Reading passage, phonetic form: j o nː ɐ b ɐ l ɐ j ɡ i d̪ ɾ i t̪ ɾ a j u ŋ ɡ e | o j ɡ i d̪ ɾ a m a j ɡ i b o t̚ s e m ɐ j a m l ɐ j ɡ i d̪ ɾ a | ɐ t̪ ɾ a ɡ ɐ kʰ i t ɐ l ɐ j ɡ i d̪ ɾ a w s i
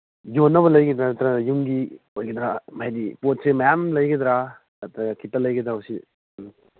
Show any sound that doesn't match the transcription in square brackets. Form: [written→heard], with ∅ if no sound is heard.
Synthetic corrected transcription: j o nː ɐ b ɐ l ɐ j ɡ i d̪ ɾ [i→a] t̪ ɾ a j u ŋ ɡ [e→i] | o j ɡ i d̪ ɾ a m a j [ɡ→d] i [b→p] o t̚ s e m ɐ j a m l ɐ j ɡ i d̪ ɾ a | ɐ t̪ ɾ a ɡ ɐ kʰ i t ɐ l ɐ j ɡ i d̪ ɾ a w s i